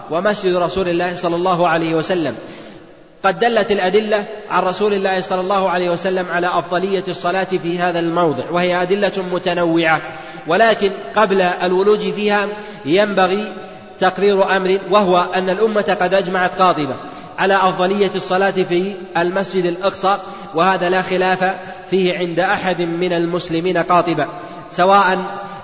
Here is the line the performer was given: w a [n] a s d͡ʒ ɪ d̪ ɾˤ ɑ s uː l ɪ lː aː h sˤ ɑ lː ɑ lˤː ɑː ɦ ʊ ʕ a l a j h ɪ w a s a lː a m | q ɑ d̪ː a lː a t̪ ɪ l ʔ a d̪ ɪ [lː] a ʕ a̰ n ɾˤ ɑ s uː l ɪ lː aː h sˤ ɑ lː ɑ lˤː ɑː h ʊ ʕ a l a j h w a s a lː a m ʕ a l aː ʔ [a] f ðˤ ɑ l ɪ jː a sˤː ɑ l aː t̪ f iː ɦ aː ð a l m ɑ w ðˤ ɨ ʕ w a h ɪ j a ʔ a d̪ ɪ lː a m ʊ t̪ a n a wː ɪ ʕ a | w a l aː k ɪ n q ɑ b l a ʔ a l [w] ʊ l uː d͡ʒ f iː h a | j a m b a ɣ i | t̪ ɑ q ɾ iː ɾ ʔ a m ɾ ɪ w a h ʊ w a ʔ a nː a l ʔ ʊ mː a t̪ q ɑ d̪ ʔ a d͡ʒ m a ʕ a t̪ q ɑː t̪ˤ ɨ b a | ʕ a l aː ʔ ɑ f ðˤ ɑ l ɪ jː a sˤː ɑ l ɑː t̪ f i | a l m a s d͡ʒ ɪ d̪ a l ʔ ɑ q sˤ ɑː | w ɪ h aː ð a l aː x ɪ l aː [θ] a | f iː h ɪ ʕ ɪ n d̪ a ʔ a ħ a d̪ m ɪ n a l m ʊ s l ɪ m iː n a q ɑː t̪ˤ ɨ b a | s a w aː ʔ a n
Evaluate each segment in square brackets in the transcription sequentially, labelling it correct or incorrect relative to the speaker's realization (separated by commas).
incorrect, correct, incorrect, correct, incorrect